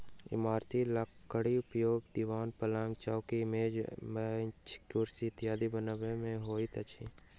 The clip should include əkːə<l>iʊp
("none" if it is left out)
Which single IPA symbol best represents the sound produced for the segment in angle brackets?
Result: ɽ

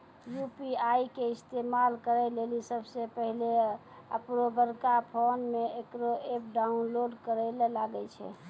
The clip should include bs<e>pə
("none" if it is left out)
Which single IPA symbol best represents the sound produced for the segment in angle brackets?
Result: e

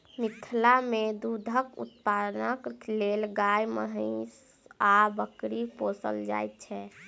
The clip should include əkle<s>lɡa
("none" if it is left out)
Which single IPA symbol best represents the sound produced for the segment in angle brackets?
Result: none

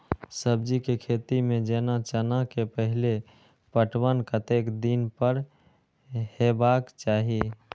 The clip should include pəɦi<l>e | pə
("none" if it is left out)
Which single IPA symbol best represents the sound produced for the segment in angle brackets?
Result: l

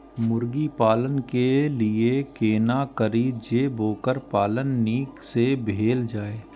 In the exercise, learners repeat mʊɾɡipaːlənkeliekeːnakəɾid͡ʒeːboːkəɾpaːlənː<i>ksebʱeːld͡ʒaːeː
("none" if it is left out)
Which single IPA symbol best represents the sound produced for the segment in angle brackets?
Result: iː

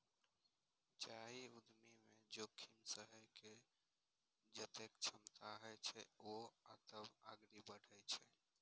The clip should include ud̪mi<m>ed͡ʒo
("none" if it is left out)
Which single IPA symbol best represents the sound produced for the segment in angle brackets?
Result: m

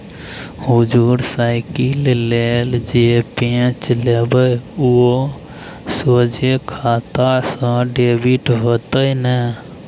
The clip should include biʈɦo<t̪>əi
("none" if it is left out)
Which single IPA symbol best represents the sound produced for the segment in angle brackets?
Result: t̪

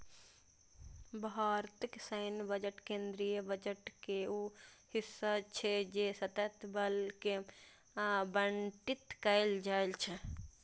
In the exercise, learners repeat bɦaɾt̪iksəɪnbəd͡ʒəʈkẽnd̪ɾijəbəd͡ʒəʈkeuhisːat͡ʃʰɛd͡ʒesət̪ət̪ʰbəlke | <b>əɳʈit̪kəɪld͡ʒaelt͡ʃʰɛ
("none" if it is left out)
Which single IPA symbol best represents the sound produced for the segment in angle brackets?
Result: b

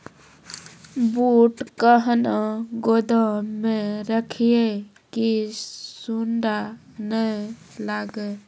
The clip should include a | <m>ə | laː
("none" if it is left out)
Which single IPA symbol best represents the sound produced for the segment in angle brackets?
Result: n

